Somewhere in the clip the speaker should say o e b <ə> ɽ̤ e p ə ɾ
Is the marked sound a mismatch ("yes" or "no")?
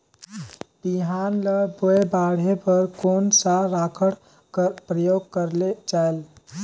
yes